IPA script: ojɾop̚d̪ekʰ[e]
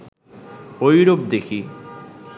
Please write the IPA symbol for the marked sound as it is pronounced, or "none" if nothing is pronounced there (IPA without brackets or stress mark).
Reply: i